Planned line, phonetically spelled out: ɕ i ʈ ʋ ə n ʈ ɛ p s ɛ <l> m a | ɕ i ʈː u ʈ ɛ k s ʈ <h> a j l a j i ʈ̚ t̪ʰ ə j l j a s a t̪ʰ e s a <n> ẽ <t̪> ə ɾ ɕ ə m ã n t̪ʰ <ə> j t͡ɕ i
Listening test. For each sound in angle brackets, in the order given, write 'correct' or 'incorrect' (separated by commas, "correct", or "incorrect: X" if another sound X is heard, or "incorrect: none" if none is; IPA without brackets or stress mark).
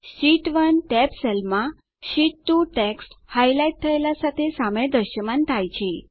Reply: correct, correct, incorrect: m, incorrect: d̪, incorrect: a